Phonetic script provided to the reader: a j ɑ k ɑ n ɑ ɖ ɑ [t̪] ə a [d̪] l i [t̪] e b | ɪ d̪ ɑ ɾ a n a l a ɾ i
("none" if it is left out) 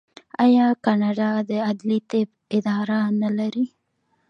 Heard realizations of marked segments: d̪, d̪, t̪

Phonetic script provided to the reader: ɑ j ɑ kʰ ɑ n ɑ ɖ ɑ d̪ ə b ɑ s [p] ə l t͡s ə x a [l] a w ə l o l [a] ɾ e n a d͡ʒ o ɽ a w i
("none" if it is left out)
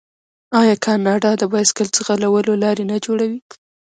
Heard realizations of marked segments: k, l, ɑ

